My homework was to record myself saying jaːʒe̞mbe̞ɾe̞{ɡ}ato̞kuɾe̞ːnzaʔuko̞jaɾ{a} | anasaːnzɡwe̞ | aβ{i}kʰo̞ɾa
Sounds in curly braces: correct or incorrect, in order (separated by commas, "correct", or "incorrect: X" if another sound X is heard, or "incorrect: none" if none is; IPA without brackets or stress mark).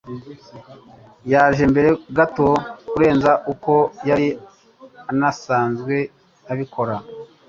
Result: correct, incorrect: i, correct